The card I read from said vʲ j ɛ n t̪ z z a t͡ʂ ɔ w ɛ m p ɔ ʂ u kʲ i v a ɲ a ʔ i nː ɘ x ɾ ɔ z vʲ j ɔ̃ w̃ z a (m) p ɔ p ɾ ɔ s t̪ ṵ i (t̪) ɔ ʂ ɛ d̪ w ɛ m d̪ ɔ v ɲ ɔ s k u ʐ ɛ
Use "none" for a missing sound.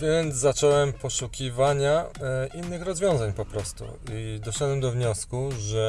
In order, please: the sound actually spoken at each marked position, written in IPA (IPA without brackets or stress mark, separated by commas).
ɲ, d̪